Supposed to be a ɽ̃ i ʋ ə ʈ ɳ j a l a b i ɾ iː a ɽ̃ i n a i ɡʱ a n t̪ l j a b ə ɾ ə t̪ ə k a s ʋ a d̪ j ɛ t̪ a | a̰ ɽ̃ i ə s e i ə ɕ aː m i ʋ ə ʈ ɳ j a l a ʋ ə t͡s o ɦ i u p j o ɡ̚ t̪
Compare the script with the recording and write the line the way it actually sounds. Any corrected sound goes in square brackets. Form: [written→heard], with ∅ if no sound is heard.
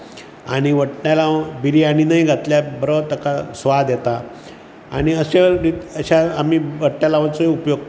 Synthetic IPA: a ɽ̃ i ʋ ə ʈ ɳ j a l a b i ɾ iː a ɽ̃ i n a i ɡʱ a [n→∅] t̪ l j a b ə ɾ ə t̪ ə k a s ʋ a d̪ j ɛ t̪ a | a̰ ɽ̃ i ə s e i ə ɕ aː m i ʋ ə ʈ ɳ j a l a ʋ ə t͡s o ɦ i u p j o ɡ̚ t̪